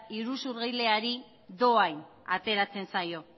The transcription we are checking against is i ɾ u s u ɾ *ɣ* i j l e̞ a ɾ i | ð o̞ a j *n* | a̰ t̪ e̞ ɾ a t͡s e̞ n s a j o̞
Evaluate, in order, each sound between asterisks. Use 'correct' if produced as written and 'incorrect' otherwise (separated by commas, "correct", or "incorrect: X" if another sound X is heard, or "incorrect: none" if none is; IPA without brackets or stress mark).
correct, correct